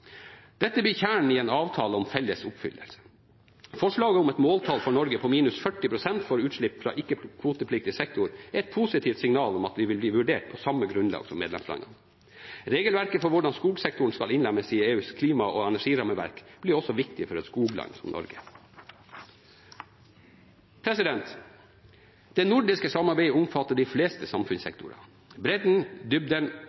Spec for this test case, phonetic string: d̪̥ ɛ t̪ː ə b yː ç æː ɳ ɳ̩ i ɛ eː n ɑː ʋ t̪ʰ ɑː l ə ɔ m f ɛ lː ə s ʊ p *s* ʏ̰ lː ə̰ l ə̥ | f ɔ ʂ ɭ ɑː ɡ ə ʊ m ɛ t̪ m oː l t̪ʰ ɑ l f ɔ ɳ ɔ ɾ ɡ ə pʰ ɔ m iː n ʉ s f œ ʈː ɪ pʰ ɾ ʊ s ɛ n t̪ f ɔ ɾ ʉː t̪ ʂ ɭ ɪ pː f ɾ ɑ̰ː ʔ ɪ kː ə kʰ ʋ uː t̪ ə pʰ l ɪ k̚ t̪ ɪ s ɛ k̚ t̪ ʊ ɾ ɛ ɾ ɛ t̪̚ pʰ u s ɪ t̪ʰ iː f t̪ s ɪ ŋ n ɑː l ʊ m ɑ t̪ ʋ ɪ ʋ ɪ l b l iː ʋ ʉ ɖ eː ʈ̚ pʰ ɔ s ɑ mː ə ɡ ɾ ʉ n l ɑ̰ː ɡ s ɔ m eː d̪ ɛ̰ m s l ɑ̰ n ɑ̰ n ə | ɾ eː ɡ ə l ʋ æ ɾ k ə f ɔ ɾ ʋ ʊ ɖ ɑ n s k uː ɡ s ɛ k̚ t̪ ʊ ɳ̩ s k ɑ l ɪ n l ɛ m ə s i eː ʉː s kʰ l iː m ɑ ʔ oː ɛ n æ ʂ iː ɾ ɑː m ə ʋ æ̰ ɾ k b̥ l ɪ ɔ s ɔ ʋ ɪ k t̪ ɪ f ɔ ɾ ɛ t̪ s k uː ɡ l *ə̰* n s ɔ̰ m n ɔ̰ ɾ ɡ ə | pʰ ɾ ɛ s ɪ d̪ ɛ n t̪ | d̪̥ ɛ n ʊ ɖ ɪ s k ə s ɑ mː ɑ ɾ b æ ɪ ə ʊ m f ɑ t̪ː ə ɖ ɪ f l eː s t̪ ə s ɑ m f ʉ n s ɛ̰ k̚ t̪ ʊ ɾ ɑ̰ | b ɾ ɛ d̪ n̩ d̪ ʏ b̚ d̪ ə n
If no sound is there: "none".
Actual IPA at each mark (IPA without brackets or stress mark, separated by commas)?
f, ɑ̰